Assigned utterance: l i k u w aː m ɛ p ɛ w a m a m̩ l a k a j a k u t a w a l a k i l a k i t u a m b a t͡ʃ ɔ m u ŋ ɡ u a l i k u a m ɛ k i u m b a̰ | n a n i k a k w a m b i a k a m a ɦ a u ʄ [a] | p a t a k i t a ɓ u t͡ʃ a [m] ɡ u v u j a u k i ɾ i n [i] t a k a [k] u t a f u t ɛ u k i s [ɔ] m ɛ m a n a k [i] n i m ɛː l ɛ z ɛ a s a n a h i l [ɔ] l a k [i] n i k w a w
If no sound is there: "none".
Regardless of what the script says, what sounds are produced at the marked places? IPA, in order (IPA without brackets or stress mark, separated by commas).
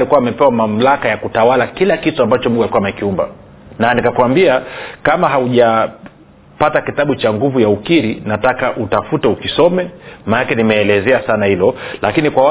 a, ŋ, a, ʔ, ɔ, ɛ, ɔ, i